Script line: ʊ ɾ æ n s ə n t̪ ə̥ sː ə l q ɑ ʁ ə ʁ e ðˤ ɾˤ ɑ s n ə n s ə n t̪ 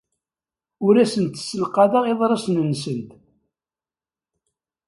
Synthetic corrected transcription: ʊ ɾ æ s ə n t̪ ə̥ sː ə l q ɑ ð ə ʁ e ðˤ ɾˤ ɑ s n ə n s ə n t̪